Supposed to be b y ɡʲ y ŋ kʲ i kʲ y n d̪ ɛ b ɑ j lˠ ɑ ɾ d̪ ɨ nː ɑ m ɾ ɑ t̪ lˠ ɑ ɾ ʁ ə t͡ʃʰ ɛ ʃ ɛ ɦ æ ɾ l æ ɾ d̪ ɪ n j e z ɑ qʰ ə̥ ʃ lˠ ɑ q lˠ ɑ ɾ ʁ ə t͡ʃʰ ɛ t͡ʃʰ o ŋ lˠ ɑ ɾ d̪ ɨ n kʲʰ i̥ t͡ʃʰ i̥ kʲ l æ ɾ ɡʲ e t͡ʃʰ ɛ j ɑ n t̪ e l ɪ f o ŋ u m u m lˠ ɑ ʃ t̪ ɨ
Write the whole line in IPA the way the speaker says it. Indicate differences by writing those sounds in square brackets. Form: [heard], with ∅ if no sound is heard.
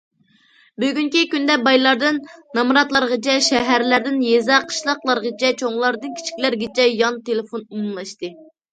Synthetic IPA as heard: b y ɡʲ y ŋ kʲ i kʲ y n d̪ ɛ b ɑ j lˠ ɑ ɾ d̪ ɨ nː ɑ m ɾ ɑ t̪ lˠ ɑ ɾ ʁ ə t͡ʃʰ ɛ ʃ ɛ ɦ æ ɾ l æ ɾ d̪ ɪ n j e z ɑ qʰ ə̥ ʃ lˠ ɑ q lˠ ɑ ɾ ʁ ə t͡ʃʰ ɛ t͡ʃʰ o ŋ lˠ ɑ ɾ d̪ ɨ n kʲʰ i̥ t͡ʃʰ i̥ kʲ l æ ɾ ɡʲ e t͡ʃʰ ɛ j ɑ n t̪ e l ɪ f o [n] u m u m lˠ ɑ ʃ t̪ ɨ